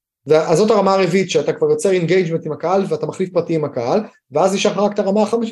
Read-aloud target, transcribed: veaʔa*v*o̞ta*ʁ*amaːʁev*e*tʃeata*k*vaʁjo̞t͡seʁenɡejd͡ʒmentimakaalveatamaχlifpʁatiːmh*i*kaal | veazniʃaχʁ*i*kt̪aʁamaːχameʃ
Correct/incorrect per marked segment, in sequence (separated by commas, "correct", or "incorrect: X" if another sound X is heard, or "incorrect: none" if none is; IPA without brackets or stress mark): incorrect: z, correct, incorrect: i, correct, incorrect: a, incorrect: a